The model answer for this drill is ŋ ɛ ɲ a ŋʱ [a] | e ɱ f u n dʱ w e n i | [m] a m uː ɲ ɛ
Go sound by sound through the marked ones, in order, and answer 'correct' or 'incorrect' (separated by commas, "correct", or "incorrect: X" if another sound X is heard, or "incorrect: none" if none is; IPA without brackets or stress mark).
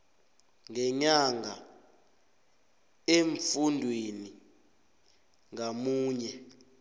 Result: correct, incorrect: ŋ